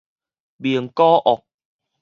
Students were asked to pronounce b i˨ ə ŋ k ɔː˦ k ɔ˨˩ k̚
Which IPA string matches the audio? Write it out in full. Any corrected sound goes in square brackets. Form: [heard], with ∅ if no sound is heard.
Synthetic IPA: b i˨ ə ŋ k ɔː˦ [ʔ] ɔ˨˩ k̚